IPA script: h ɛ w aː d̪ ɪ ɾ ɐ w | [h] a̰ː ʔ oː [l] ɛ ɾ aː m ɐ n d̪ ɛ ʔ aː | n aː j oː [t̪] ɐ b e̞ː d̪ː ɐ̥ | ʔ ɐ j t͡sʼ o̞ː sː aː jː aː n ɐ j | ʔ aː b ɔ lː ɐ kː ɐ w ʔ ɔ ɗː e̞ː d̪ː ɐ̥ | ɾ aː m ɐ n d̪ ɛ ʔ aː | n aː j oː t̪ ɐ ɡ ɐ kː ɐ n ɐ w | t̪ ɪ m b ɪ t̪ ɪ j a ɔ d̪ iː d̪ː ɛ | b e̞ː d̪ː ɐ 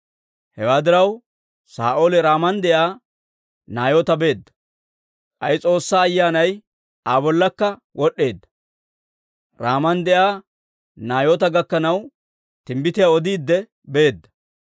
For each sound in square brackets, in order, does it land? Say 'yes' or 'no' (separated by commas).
no, yes, yes